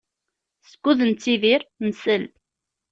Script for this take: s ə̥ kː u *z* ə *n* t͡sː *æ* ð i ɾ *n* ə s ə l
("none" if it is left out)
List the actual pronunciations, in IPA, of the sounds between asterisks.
ð, n, i, n

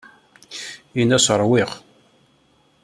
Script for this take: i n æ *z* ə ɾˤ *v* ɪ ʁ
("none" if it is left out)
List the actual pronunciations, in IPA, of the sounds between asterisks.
s, w

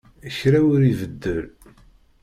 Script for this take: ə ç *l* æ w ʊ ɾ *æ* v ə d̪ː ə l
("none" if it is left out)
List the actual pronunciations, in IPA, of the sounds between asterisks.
ɾ, i

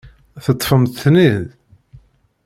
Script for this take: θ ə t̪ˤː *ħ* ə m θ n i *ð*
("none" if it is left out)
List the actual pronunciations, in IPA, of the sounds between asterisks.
f, ð

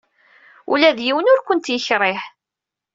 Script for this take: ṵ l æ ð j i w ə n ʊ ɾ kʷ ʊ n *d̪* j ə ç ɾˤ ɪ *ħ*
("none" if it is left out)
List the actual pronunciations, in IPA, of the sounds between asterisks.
t̪, ħ

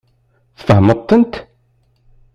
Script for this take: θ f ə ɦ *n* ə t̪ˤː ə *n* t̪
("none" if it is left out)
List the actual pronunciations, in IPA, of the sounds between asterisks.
m, n

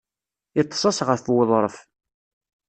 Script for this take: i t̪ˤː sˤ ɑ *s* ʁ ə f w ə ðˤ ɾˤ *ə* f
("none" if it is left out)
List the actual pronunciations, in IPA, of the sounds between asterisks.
s, ə

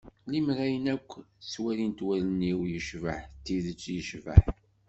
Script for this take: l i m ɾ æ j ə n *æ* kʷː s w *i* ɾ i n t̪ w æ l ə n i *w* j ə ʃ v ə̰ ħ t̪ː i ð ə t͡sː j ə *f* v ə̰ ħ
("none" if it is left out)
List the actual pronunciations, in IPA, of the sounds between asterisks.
æ, æ, w, ʃ

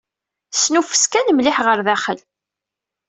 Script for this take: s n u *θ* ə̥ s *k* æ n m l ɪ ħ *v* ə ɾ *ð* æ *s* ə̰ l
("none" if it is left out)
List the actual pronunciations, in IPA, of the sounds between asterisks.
f, k, ʁ, ð, χ

